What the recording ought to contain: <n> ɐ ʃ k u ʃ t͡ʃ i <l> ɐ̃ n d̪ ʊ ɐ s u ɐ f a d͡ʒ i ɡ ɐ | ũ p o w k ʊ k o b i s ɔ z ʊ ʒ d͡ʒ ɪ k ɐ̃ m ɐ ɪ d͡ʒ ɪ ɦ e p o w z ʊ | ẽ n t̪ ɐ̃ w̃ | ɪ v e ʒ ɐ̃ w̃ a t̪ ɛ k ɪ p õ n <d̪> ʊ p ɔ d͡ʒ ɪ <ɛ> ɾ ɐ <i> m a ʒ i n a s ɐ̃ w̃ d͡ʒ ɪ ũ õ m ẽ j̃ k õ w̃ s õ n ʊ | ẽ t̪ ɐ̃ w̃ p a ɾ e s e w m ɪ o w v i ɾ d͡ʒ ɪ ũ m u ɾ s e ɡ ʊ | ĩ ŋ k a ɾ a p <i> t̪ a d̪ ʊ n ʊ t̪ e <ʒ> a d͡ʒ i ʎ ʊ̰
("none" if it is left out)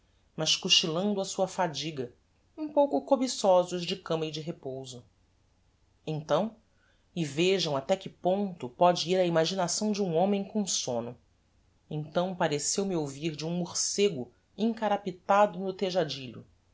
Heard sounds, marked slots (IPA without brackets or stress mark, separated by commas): m, l, t̪, i, i, i, ʒ